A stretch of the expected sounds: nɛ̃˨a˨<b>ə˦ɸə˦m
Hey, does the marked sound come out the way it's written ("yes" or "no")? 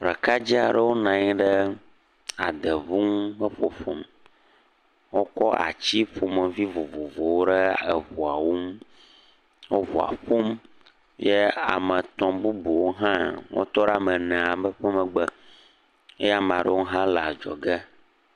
yes